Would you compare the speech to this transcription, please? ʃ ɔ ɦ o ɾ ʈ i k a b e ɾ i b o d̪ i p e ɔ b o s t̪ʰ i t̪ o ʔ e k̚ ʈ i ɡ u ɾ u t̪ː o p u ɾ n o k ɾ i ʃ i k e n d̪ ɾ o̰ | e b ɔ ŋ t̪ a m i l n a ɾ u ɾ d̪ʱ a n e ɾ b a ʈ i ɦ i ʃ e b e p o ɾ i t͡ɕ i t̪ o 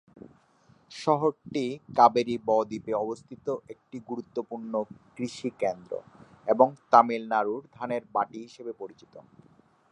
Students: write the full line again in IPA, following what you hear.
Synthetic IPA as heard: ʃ ɔ ɦ o ɾ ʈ i k a b e ɾ i b ɔ d̪ i p e ɔ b o s t̪ʰ i t̪ o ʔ e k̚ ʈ i ɡ u ɾ u t̪ː o p u ɾ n o k ɾ i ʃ i k e n d̪ ɾ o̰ | e b o ŋ t̪ a m i l n a ɾ u ɾ d̪ʱ a n e ɾ b a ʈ i ɦ i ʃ e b e p o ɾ i t͡ɕ i t̪ o